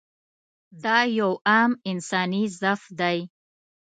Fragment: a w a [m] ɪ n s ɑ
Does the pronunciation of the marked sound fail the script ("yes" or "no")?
no